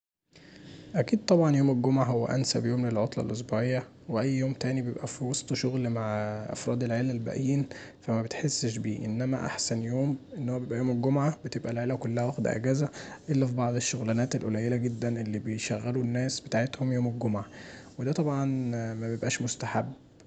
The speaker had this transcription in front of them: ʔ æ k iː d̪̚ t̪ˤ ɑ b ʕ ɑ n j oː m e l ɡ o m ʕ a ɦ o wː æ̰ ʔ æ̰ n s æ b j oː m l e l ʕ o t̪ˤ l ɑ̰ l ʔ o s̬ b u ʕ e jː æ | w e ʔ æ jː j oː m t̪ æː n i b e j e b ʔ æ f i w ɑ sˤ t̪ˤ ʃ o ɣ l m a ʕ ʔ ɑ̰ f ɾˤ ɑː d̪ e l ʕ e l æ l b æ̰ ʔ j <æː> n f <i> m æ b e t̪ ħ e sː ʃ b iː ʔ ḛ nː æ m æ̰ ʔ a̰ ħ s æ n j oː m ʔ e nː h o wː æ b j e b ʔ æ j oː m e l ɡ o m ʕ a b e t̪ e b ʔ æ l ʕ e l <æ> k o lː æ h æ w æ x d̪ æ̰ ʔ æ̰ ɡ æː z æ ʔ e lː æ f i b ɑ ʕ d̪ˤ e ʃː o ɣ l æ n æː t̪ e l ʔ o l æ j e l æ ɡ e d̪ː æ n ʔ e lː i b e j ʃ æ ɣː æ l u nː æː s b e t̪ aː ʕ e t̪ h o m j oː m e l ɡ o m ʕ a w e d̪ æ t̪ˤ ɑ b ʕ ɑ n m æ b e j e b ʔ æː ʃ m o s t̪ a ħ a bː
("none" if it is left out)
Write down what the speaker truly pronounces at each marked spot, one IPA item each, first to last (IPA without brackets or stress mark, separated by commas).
iː, æ, æ